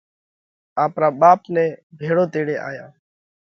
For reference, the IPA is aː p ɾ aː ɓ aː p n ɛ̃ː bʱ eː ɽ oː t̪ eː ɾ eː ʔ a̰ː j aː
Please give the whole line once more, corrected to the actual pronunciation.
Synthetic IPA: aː p ɾ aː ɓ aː p n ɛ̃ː bʱ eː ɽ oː t̪ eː ɽ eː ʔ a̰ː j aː